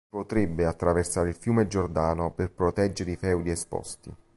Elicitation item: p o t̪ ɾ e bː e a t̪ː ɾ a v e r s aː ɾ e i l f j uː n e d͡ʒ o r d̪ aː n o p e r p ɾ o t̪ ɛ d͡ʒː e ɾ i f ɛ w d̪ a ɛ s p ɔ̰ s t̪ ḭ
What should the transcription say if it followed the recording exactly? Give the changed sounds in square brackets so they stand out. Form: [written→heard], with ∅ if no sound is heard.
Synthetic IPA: p o t̪ ɾ e bː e a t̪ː ɾ a v e r s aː ɾ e i l f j uː [n→m] e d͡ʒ o r d̪ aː n o p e r p ɾ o t̪ ɛ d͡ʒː e ɾ i f ɛ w d̪ [a→i] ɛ s p ɔ̰ s t̪ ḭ